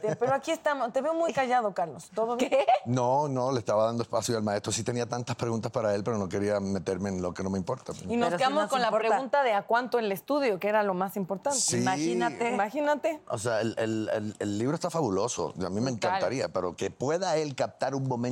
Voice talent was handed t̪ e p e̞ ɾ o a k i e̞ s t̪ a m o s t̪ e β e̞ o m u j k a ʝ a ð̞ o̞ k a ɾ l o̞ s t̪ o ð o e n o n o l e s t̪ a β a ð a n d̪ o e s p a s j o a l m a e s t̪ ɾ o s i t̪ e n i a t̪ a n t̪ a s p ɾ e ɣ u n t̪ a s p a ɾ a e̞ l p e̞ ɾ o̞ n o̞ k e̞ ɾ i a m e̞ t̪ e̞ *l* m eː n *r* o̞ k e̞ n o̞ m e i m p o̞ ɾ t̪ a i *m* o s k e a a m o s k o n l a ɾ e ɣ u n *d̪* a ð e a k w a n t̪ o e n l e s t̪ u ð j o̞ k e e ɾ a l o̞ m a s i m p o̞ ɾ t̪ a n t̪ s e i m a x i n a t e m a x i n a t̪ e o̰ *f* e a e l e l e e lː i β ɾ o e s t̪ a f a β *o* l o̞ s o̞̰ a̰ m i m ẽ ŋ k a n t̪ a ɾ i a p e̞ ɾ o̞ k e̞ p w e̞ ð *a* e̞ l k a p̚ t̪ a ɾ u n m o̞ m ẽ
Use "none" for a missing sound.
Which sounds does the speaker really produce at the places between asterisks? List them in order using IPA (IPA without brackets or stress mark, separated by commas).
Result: ɾ, l, n, t̪, s, u, a